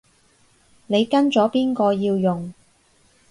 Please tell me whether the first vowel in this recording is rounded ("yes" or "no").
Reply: no